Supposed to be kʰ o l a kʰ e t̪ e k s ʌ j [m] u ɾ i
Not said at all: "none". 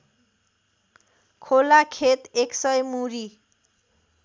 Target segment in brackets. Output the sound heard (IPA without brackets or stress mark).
m